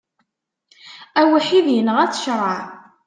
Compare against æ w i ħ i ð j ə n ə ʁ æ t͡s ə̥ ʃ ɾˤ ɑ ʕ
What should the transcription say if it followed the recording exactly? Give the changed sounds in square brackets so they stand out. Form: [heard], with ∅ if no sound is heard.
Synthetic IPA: æ w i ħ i ð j ə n ə ʁ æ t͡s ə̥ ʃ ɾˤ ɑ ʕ